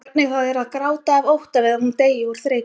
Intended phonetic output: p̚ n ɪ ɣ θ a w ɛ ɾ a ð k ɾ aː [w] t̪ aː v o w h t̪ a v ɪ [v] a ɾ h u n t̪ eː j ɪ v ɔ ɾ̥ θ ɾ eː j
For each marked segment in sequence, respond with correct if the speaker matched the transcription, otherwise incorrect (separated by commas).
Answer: correct, incorrect